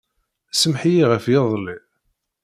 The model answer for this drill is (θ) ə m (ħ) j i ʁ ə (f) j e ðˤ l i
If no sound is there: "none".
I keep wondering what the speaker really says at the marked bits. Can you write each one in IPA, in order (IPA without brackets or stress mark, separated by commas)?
s, ħ, f